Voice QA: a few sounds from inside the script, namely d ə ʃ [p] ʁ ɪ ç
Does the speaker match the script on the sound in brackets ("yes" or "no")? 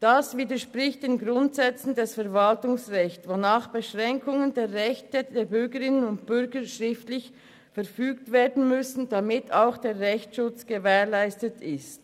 yes